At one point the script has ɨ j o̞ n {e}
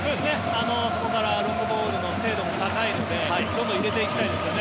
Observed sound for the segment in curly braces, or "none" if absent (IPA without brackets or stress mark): e